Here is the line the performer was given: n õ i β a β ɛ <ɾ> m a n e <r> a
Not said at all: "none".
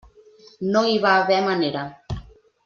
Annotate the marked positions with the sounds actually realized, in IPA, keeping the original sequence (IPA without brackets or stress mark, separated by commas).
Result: none, ɾ